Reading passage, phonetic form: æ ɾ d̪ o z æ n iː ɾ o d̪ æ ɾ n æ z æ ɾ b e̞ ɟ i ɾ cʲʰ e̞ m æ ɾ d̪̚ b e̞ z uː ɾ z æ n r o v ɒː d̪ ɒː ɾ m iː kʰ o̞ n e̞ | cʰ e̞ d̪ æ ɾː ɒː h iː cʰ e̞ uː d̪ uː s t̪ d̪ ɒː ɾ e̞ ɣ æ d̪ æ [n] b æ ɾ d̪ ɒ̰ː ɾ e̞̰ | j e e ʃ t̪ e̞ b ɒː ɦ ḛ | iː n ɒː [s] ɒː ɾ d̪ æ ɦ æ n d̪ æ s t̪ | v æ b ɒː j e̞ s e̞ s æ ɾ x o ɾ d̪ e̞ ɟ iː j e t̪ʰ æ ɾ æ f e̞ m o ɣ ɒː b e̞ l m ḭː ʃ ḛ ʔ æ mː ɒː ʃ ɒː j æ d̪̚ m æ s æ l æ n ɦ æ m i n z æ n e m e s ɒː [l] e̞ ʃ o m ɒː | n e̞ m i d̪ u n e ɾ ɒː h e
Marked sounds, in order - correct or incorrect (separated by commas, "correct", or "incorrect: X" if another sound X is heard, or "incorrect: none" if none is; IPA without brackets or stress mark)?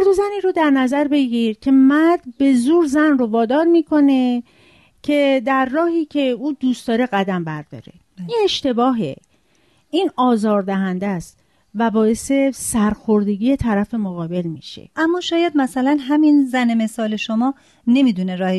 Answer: incorrect: m, incorrect: z, correct